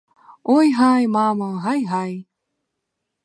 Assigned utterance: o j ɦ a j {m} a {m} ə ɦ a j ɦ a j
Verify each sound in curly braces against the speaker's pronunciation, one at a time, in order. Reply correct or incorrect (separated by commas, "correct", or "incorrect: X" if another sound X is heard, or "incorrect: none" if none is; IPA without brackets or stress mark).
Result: correct, correct